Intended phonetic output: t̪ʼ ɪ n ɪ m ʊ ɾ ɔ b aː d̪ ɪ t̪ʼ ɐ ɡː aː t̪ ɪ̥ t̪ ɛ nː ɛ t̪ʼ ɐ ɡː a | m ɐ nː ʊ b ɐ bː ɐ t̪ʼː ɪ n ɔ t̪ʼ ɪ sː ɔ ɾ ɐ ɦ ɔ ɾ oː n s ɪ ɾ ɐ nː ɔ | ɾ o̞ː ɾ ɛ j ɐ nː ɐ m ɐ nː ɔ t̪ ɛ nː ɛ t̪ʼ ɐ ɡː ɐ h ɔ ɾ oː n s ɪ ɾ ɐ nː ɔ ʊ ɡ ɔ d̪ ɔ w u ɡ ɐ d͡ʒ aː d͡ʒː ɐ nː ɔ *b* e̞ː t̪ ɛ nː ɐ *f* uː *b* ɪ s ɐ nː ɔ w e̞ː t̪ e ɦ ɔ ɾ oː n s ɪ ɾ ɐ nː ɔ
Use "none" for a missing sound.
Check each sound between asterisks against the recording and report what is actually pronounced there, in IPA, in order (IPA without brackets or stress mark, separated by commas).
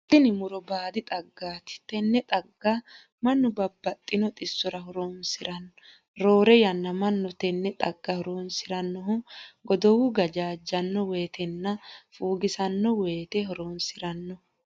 w, f, ɡ